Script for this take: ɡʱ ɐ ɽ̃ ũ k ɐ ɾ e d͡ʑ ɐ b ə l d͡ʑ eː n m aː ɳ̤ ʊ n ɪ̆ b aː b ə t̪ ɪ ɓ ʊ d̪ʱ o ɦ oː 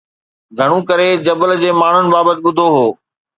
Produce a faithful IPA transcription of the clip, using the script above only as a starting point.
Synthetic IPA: ɡʱ ɐ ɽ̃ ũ k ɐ ɾ e d͡ʑ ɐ b ə l d͡ʑ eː m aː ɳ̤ ʊ n ɪ̆ b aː b ə t̪ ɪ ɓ ʊ d̪ʱ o ɦ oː

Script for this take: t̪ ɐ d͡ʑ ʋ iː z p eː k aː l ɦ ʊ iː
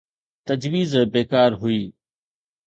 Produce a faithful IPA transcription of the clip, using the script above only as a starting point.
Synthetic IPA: t̪ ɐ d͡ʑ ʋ iː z b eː k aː ɾ ɦ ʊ iː

